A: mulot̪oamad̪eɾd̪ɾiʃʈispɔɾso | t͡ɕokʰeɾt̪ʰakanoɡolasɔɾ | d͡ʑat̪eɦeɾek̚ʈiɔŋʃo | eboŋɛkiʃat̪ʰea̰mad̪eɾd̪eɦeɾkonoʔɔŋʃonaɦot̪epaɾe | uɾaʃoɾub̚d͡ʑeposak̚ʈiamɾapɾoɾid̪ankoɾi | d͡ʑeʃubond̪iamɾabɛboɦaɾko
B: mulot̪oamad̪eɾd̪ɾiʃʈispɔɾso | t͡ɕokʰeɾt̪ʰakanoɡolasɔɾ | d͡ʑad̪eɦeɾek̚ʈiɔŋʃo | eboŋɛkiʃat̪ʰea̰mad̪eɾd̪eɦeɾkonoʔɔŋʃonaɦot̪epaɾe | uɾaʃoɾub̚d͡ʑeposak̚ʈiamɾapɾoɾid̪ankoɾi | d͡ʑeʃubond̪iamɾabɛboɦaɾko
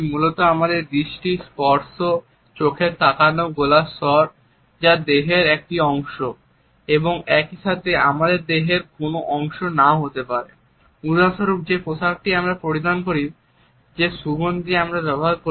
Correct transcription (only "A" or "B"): B